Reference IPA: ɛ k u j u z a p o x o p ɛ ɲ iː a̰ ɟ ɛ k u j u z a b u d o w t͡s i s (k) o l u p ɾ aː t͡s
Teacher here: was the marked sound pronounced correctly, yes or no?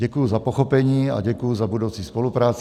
no